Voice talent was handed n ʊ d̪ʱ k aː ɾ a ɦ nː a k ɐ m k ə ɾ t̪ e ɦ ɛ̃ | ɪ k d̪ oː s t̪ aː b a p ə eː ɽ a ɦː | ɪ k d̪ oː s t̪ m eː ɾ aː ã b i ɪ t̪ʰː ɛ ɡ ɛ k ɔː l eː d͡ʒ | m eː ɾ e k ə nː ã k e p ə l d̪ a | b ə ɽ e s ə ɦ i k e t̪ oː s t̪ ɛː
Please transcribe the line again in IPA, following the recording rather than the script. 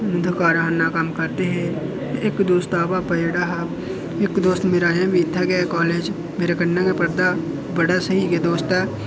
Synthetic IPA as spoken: n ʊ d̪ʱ k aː ɾ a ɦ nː a k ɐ m k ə ɾ t̪ e ɦ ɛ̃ | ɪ k d̪ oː s t̪ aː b a p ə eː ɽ a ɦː | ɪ k d̪ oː s t̪ m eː ɾ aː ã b i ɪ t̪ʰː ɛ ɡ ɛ k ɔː l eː d͡ʒ | m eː ɾ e k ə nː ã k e p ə ɾ d̪ a | b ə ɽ a s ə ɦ i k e d̪ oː s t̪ ɛː